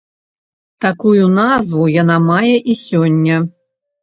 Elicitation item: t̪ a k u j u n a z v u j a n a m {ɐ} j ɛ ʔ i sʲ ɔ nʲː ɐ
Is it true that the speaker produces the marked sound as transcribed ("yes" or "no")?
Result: no